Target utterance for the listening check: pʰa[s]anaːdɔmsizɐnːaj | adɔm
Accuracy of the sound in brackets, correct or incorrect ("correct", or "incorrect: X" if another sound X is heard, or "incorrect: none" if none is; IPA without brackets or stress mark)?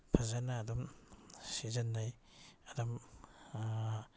incorrect: z